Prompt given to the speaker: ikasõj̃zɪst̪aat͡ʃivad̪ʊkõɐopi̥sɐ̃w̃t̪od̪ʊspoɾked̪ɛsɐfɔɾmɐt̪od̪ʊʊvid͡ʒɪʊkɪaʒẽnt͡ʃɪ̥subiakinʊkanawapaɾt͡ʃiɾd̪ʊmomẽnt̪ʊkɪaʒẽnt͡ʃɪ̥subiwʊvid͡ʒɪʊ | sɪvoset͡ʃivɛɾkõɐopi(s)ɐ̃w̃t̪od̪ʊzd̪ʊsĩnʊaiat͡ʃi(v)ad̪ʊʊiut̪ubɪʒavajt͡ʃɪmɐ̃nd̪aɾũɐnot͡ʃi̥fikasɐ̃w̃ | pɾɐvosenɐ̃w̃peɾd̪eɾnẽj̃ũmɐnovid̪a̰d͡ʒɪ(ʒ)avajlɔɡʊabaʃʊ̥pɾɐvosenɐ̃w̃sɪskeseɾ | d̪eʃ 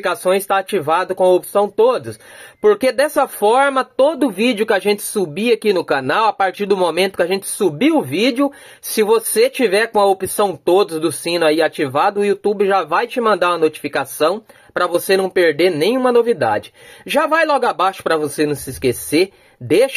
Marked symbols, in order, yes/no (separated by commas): yes, yes, yes